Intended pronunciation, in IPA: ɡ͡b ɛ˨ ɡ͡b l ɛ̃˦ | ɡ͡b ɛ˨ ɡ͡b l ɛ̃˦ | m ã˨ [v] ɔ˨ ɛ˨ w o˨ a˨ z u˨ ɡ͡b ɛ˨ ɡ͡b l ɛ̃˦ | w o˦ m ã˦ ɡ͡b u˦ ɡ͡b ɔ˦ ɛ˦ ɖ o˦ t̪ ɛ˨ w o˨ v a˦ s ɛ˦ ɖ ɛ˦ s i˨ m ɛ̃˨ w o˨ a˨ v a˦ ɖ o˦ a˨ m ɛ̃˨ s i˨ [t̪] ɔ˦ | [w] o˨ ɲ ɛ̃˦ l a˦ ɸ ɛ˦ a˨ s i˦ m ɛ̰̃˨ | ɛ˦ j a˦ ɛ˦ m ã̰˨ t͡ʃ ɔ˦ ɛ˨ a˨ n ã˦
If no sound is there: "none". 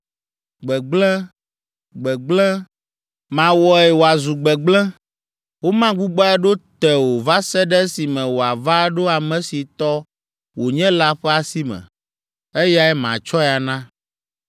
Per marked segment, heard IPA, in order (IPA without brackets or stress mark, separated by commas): w, t̪, w